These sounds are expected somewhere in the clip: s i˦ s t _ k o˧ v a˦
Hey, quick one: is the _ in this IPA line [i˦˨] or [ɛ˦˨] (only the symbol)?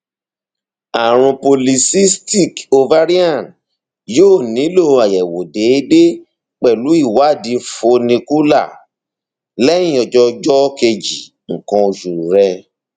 i˦˨